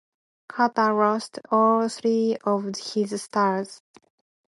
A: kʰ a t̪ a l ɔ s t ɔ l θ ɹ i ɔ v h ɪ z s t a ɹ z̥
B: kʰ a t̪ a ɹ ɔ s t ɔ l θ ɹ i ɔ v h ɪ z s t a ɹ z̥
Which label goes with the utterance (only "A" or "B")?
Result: B